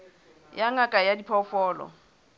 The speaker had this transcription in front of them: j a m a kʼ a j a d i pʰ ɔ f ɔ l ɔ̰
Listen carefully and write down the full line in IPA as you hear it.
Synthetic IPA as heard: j a ŋ a kʼ a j a d i pʰ ɔ f ɔː l ɔ̰